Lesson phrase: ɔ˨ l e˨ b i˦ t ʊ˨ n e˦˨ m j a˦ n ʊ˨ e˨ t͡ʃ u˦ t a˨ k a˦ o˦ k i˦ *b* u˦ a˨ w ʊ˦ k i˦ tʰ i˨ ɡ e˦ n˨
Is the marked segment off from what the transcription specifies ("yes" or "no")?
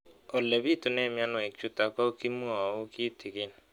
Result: yes